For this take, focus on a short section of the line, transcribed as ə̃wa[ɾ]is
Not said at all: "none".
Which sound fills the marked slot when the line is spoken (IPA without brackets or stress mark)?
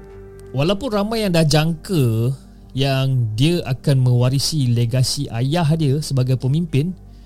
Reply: ɾ